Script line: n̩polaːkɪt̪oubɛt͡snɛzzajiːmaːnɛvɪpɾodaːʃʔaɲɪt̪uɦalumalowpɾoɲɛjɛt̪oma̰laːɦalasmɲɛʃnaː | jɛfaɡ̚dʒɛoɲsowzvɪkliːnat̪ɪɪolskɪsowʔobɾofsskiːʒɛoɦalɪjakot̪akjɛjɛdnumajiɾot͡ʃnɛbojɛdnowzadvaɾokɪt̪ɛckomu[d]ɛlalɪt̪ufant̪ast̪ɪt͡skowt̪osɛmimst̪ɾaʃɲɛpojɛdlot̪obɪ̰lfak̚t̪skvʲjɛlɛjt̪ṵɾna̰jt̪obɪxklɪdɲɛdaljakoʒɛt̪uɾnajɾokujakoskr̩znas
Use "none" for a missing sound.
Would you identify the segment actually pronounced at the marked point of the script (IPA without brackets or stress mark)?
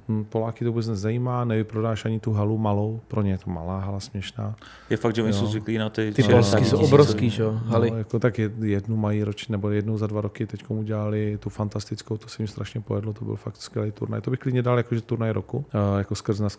ɟ